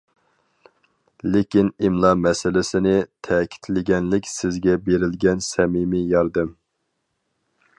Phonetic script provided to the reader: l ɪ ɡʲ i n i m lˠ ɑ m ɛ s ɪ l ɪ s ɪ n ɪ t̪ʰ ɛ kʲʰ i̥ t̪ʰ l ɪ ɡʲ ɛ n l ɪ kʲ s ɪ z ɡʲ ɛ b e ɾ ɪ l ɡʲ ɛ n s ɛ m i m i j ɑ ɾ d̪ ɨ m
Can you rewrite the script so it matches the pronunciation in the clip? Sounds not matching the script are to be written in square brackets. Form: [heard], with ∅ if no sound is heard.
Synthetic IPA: l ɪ [kʲ] i n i m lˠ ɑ m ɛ s ɪ l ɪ s ɪ n ɪ t̪ʰ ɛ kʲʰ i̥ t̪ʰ l ɪ ɡʲ ɛ n l ɪ kʲ s ɪ z ɡʲ ɛ b e ɾ ɪ l ɡʲ ɛ n s ɛ m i m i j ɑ ɾ d̪ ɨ m